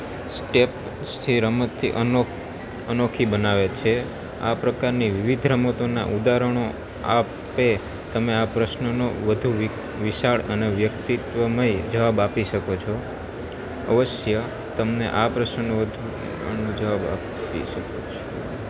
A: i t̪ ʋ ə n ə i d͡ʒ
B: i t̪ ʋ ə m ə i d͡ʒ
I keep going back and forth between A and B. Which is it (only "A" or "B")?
B